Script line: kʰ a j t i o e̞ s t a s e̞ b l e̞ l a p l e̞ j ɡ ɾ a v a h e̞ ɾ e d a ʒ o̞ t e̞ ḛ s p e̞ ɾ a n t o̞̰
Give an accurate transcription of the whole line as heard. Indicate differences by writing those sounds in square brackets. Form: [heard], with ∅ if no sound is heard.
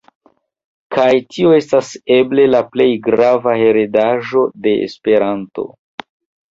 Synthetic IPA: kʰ a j t i o e̞ s t a s e̞ b l e̞ l a p l e̞ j ɡ ɾ a v a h e̞ ɾ e d a ʒ o̞ [d] e̞ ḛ s p e̞ ɾ a n t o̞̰